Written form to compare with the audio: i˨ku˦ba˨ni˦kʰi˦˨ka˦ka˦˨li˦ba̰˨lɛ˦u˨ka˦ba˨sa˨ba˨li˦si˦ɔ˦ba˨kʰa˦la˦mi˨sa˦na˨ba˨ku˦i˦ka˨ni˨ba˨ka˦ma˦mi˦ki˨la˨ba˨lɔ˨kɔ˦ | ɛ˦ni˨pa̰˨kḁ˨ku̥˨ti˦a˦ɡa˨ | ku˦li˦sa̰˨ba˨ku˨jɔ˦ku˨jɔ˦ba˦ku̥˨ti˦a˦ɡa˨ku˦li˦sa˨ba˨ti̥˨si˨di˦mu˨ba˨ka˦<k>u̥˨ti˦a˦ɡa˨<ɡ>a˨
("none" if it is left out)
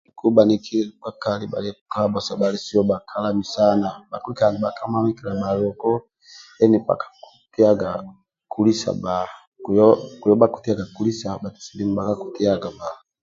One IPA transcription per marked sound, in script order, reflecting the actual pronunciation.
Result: k, b

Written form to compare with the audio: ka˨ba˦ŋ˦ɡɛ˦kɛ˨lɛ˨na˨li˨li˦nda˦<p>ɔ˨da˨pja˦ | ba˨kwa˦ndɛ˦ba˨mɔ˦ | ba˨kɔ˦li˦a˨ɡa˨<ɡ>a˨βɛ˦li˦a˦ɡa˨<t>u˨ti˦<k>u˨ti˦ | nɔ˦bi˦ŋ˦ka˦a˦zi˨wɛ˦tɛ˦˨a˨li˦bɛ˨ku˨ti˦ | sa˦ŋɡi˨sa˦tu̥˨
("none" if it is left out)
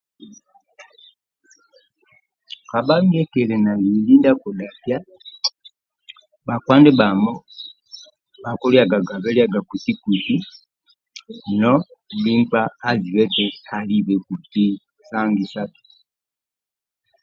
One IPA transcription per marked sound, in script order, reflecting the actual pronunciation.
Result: k, ɡ, k, k

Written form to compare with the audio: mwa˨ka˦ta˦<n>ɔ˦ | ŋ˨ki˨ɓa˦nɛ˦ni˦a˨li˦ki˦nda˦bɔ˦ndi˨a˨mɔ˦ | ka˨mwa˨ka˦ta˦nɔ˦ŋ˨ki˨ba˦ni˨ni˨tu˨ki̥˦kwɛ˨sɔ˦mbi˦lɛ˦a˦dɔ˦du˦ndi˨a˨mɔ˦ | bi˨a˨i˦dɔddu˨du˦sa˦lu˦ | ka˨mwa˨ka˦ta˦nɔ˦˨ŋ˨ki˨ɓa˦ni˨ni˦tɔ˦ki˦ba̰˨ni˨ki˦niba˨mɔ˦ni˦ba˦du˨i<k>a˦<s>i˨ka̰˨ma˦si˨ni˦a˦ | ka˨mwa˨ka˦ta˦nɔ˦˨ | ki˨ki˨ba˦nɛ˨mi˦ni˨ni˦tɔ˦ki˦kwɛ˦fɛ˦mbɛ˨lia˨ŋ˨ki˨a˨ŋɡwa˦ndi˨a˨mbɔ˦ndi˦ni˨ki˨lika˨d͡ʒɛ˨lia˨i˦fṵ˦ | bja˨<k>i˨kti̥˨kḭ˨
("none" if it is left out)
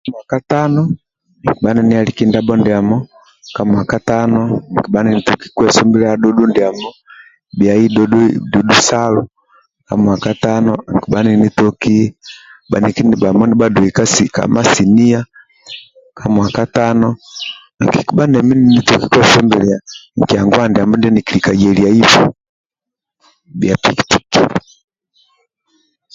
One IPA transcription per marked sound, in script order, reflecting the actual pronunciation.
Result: n, k, s, p

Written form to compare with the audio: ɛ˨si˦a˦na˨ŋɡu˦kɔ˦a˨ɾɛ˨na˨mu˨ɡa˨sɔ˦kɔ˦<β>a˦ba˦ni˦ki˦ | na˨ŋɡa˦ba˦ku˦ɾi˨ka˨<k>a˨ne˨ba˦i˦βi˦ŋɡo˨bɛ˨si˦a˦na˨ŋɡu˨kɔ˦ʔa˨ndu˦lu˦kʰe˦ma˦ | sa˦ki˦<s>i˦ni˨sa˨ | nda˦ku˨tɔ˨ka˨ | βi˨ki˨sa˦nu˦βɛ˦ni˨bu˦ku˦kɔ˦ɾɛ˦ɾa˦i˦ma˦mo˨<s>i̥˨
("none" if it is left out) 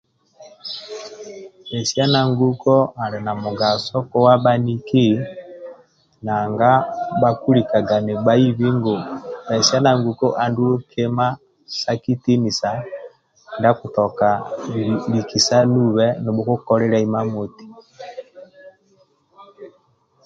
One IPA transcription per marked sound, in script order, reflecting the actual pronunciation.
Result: w, ɡ, t, t

